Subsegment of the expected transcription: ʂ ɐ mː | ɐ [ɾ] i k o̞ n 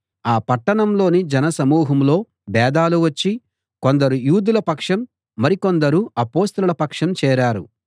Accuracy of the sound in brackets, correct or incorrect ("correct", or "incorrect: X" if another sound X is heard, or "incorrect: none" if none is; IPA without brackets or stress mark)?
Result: correct